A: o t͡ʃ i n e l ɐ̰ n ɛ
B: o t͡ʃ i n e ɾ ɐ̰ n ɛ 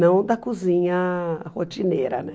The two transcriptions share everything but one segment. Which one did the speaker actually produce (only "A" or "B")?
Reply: B